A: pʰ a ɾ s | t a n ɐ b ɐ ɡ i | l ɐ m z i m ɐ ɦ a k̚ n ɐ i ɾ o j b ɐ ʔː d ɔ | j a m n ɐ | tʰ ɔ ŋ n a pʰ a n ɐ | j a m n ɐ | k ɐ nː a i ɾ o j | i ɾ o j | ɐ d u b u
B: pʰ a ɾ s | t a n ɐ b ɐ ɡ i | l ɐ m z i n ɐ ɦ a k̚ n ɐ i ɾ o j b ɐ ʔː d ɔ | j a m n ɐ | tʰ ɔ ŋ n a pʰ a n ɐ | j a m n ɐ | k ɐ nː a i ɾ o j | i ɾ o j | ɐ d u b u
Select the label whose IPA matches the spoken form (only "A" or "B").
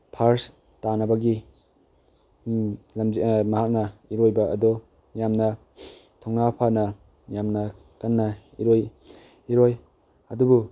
A